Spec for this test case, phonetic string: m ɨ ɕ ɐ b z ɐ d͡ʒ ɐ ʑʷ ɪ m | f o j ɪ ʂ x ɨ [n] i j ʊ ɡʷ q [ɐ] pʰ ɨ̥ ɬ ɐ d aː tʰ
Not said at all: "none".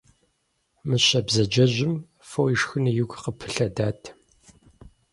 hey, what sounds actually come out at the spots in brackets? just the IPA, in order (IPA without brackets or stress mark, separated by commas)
n, ə